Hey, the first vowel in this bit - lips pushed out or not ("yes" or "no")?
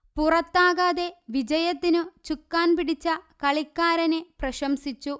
yes